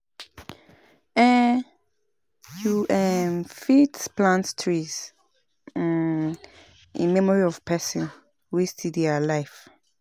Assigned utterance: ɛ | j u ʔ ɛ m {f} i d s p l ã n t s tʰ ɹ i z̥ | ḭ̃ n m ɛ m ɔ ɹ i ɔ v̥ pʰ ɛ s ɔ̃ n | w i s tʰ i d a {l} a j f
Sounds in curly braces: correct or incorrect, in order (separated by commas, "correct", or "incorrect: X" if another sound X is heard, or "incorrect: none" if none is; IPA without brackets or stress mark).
correct, correct